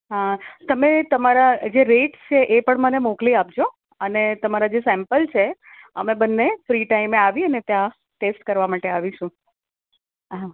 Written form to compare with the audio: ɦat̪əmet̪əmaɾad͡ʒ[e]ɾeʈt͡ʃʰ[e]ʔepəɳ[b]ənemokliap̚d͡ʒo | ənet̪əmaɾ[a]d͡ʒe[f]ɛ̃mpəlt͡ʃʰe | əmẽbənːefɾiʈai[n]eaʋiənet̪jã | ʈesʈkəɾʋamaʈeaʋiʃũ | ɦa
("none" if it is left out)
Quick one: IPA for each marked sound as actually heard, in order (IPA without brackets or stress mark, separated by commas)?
e, e, m, a, s, m